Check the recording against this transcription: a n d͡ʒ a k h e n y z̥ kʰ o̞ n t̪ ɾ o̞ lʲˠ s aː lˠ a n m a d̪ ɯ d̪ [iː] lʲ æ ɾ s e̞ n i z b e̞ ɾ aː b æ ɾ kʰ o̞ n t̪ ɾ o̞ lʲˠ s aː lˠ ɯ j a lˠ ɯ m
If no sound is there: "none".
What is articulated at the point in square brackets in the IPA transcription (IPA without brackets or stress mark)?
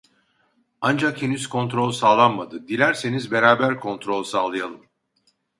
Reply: i